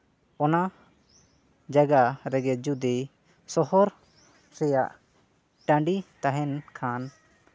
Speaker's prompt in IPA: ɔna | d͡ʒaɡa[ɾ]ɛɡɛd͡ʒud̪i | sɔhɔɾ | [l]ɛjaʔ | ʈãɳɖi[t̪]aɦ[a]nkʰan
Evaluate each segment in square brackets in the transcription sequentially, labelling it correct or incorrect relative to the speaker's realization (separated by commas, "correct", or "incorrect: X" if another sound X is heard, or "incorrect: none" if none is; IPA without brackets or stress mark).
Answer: correct, incorrect: ɾ, correct, incorrect: ɛ